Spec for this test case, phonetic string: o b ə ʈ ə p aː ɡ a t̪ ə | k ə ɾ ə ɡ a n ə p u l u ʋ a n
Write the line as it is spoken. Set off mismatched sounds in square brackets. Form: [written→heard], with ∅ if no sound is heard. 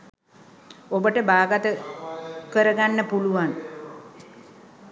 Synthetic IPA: o b ə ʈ ə [p→b] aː ɡ a t̪ ə | k ə ɾ ə ɡ a [n→nː] ə p u l u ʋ a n

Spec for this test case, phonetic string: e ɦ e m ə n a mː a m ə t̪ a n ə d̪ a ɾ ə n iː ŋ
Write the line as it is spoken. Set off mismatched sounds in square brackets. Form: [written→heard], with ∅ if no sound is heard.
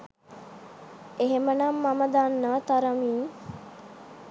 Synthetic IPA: e ɦ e m ə n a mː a m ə [t̪→d̪] a [n→nː] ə [d̪→t̪] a ɾ ə [n→m] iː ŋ

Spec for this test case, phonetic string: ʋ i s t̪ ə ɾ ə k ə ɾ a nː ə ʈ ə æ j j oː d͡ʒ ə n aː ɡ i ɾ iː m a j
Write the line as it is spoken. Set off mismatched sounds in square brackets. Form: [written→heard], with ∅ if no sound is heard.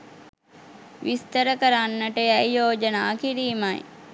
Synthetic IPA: ʋ i s t̪ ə ɾ ə k ə ɾ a nː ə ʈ ə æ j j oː d͡ʒ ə n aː [ɡ→k] i ɾ iː m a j

